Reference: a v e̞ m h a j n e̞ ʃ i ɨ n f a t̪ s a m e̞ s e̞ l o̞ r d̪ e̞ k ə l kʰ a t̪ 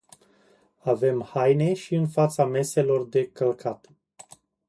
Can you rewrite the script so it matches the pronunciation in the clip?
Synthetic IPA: a v e̞ m h a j n e̞ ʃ i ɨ n f a t̪ s a m e̞ s e̞ l o̞ r d̪ e̞ k ə l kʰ a t̪